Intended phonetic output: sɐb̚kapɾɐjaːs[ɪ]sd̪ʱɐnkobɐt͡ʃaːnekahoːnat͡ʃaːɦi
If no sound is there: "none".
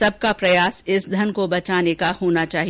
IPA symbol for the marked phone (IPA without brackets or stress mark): ɪ